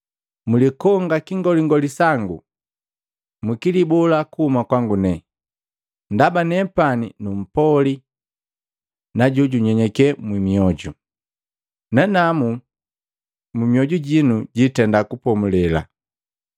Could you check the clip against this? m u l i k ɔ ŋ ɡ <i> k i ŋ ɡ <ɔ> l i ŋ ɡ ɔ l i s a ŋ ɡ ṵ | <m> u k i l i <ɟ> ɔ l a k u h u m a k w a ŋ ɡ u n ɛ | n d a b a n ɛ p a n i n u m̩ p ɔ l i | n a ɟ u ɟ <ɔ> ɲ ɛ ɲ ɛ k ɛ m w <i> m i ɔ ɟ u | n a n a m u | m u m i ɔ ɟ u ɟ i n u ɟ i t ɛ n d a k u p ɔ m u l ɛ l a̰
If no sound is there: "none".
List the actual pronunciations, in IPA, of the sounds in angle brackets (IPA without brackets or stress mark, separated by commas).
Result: a, ɔ, m, b, u, i